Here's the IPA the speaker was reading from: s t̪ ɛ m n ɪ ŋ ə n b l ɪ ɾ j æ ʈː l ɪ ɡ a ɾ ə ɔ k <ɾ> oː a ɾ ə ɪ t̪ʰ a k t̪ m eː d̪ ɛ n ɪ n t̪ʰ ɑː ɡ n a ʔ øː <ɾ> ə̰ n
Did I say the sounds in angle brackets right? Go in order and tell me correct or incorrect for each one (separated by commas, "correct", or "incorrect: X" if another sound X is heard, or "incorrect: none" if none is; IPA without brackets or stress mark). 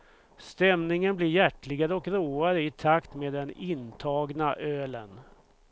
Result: correct, incorrect: l